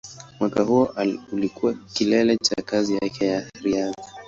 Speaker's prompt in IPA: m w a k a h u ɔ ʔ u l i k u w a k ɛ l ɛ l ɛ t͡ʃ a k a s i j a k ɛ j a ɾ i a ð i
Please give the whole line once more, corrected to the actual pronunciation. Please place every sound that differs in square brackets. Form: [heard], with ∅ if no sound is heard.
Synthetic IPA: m w a k a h u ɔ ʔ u l i k u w a k [i] l ɛ l ɛ t͡ʃ a k a [z] i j a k ɛ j a ɾ i a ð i